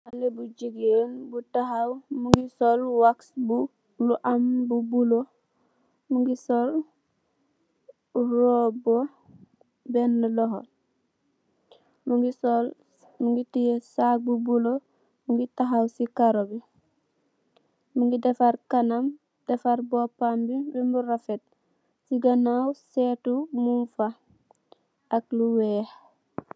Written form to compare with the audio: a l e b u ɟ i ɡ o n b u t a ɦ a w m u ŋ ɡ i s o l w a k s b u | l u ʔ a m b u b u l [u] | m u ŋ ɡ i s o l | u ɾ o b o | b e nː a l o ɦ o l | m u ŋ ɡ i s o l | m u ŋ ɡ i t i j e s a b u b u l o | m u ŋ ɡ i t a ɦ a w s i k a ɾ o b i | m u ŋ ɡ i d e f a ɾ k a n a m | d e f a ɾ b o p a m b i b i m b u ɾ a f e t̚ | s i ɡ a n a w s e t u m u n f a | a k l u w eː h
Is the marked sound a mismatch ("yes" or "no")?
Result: yes